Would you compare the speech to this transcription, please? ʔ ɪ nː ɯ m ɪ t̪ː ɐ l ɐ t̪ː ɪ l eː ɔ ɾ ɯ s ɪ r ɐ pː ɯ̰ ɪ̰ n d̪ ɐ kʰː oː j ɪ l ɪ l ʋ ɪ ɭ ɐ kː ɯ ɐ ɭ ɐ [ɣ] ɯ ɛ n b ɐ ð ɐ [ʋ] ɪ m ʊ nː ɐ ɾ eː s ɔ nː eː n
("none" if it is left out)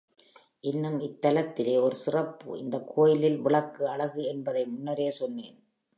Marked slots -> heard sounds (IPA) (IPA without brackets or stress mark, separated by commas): ɣ, none